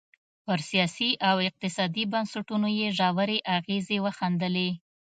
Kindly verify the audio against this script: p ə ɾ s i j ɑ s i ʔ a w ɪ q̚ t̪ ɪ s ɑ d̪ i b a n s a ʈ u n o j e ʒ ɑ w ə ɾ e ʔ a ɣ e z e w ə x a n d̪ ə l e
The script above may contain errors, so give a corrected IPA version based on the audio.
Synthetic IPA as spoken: p ə ɾ s i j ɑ s i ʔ a w ɪ q̚ t̪ ɪ s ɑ d̪ i b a n s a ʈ u n o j e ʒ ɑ w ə ɾ e ʔ a ɣ e z e w ə x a n d̪ ə l e